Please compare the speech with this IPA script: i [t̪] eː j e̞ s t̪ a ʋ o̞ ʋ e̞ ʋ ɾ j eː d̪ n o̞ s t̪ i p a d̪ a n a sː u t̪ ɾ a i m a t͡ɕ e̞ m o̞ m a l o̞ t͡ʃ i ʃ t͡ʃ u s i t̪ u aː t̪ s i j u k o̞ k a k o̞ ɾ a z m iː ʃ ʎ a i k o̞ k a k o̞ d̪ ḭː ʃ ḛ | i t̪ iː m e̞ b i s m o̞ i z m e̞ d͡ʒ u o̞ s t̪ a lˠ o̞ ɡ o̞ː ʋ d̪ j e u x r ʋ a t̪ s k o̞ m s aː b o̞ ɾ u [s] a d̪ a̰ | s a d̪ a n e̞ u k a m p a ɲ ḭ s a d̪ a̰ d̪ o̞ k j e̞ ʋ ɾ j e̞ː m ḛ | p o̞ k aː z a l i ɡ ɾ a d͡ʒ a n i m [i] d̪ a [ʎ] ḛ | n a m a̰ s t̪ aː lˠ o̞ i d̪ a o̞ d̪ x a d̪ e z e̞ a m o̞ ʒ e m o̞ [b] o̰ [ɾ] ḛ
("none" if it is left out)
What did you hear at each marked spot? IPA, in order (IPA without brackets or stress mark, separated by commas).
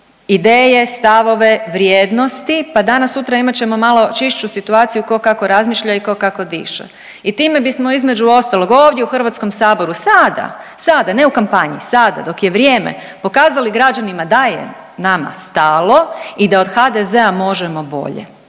d̪, s, a, j, b, ʎ